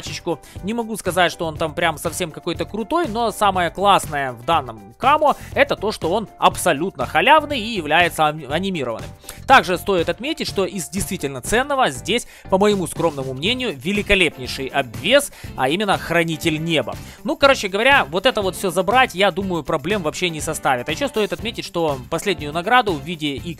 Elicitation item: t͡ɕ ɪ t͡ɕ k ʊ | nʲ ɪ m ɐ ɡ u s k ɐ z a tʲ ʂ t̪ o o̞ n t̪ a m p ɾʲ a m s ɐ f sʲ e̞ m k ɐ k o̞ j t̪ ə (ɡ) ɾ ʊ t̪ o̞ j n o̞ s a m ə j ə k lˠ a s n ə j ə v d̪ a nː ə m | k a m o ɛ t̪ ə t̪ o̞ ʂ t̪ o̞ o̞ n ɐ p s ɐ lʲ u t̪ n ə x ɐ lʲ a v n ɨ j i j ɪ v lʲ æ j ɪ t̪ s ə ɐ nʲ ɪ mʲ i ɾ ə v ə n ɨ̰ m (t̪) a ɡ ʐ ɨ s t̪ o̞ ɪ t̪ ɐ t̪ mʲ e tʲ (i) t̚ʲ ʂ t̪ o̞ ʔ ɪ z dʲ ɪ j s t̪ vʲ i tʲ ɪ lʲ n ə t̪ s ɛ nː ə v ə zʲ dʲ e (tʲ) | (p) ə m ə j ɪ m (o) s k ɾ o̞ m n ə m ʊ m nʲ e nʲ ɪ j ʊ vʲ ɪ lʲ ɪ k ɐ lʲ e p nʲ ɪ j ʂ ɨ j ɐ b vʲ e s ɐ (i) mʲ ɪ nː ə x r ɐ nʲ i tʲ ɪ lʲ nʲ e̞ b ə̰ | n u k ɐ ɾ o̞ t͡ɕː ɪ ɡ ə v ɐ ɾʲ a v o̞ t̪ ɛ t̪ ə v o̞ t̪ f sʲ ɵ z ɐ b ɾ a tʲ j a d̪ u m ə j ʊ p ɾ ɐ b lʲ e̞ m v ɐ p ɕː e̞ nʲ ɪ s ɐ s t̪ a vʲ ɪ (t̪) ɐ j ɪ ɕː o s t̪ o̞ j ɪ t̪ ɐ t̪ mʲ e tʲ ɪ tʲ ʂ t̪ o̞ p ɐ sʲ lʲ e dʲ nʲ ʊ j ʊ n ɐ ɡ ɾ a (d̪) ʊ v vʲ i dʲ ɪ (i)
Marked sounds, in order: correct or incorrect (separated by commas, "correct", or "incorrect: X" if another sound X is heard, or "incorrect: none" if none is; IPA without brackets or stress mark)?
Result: incorrect: k, correct, incorrect: ɪ, incorrect: sʲ, correct, incorrect: u, correct, correct, correct, correct